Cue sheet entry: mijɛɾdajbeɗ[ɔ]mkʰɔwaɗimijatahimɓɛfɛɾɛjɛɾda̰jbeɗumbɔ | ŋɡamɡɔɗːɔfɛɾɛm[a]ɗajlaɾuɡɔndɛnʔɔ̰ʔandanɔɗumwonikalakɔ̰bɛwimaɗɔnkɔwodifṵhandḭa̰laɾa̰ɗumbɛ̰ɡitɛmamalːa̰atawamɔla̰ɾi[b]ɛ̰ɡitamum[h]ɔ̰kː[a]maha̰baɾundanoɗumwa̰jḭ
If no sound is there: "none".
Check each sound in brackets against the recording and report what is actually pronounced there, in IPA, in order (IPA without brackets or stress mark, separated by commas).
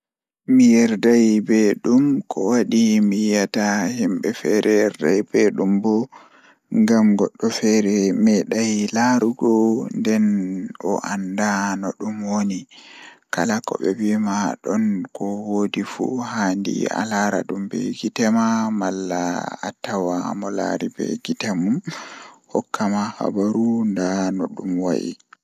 u, ɛ, b, h, a